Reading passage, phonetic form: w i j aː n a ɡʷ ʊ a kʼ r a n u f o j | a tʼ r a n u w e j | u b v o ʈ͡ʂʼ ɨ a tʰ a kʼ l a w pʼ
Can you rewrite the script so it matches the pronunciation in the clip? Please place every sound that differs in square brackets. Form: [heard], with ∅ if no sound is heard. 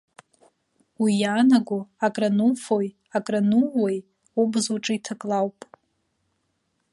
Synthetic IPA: w i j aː n a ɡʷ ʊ a kʼ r a n u f o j | a [kʼ] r a n u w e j | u b [z] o ʈ͡ʂʼ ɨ [i] tʰ a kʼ l a w pʼ